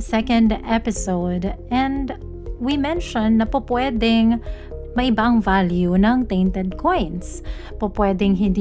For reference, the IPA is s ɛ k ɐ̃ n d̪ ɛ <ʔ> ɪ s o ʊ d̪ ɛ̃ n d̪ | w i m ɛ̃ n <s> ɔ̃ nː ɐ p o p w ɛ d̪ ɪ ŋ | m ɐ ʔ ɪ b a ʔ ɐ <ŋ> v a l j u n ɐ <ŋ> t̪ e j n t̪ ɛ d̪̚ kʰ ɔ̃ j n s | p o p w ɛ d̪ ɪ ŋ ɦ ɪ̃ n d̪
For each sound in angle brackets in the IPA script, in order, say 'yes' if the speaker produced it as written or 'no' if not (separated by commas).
no, no, yes, yes